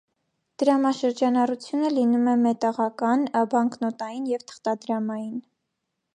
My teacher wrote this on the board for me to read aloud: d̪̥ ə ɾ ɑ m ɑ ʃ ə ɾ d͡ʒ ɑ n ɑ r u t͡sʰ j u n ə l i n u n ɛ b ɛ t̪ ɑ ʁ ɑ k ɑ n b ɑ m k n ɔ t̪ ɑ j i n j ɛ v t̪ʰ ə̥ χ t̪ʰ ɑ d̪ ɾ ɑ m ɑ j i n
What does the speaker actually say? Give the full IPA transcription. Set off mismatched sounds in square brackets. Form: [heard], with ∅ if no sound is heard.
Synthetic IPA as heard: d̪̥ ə ɾ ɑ m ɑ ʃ ə ɾ d͡ʒ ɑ n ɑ r u t͡sʰ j u n ə l i n u [m] ɛ [m] ɛ t̪ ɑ ʁ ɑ k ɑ n b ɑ [ŋ] k n ɔ t̪ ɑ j i n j ɛ v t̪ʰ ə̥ χ [t̪] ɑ d̪ ɾ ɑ m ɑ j i n